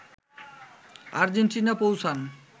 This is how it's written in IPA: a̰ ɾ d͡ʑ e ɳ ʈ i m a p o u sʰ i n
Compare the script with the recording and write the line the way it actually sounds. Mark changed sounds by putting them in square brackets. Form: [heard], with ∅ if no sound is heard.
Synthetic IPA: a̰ ɾ d͡ʑ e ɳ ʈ i [n] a p o [w] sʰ [a] n